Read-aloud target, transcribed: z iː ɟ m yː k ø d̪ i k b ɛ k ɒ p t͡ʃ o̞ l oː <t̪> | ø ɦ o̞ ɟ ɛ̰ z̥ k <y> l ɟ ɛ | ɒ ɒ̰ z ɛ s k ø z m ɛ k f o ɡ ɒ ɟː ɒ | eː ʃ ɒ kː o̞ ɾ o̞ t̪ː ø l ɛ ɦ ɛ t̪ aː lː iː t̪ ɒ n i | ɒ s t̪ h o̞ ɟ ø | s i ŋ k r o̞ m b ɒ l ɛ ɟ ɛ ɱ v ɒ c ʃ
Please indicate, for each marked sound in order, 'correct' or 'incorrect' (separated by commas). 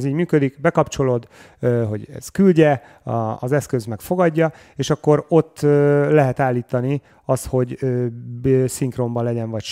incorrect, correct